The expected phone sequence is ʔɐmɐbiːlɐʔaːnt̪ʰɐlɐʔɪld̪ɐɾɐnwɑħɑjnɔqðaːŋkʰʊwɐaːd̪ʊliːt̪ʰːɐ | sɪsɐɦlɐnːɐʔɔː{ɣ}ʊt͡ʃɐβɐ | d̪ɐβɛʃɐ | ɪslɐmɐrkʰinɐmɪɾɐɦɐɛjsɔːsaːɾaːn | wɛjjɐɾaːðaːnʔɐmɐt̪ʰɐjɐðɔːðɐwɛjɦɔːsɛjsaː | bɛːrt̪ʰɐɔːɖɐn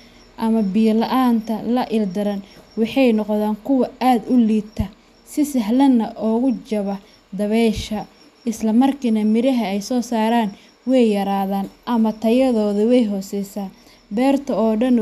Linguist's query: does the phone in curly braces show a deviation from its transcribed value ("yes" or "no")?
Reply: no